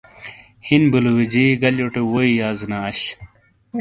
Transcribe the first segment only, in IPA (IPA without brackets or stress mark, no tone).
h